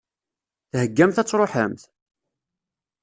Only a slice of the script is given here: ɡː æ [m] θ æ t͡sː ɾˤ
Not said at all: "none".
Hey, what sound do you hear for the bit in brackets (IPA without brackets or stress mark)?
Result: m